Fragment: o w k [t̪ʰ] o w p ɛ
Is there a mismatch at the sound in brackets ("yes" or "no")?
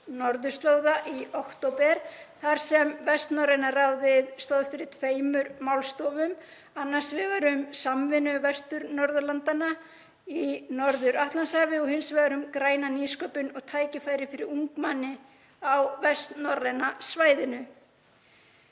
yes